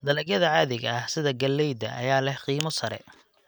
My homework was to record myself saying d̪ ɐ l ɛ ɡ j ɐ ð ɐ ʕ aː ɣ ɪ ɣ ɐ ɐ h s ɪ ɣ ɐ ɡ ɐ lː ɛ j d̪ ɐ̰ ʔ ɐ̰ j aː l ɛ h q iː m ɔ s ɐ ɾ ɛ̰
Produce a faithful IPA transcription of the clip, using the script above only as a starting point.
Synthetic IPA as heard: d̪ ɐ l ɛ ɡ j ɐ ð ɐ ʕ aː ð ɪ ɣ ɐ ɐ h s ɪ ð ɐ ɡ ɐ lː ɛ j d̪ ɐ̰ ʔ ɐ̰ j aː l ɛ h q iː m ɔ s ɐ ɾ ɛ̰